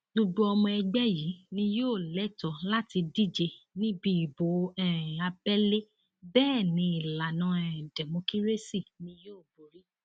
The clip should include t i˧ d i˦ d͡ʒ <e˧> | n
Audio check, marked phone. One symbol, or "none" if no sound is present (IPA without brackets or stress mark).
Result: e˧